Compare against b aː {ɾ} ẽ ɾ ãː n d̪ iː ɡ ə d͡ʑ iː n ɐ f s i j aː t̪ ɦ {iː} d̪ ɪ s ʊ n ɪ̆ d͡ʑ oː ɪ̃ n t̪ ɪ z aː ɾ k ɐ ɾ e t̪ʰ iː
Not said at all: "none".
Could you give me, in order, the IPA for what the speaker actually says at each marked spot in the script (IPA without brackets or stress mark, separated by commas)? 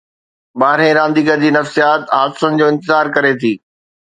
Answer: ɾ, aː